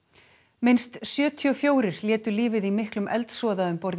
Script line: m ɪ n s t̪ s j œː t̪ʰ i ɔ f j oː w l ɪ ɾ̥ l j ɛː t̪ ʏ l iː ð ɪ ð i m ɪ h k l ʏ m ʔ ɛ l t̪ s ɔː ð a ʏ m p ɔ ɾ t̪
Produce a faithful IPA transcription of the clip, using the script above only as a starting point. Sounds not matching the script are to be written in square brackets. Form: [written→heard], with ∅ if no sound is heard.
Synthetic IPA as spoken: m ɪ n s t̪ s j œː t̪ʰ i ɔ f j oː w [l→ɾ] ɪ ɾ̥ l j ɛː t̪ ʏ l iː [ð→v] ɪ ð i m ɪ h k l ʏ m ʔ ɛ l t̪ s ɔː ð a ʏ m p ɔ ɾ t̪